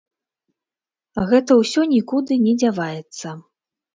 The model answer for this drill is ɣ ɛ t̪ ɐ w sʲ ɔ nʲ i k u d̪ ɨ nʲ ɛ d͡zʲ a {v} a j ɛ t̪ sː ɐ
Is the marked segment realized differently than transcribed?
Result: no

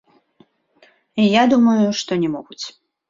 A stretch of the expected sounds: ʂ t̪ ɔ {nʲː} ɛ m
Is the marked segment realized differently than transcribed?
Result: yes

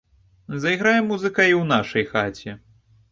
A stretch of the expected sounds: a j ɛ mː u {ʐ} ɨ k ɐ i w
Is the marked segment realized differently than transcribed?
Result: yes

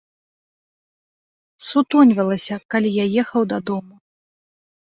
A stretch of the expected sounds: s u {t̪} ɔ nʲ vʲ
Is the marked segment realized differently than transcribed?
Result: no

